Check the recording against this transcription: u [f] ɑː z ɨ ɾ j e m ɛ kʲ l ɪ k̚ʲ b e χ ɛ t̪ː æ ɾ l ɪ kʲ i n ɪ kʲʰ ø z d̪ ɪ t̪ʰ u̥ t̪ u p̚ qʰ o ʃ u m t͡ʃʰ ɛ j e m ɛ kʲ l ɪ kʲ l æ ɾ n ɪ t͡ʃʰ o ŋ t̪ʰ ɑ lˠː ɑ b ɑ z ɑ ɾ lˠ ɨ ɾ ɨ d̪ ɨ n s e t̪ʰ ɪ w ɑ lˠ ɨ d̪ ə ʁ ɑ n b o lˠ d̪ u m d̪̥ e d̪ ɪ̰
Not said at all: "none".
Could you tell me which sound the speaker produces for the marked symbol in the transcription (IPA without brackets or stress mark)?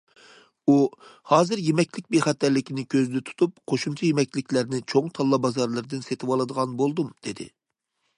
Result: h